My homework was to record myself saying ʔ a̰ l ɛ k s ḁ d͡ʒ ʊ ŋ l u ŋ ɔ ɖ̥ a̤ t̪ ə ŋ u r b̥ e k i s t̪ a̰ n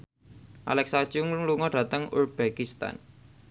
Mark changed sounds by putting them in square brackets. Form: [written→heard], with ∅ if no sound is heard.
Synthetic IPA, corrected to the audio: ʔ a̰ l ɛ k s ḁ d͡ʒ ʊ ŋ l u ŋ ɔ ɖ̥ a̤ t̪ ə ŋ u r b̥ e k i s t̪ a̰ n